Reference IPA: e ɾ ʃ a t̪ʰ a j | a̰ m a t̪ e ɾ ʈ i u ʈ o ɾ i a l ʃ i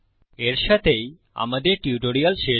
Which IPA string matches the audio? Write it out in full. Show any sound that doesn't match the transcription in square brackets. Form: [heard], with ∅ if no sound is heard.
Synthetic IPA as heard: e ɾ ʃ a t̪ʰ [e] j | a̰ m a [d̪] e ɾ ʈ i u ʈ o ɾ i a l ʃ [e]